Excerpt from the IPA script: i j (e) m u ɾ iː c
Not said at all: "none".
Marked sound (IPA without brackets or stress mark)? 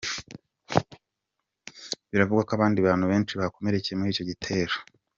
e